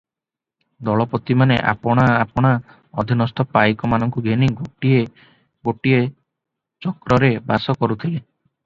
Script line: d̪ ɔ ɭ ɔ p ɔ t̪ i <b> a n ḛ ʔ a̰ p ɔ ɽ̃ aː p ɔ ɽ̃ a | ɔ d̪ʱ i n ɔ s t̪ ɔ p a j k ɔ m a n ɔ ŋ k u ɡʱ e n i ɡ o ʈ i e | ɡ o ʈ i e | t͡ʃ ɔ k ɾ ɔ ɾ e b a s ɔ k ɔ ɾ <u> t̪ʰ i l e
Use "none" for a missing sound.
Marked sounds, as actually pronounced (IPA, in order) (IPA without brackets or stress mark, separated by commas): m, u